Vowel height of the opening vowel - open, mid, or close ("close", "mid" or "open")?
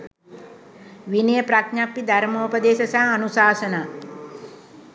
close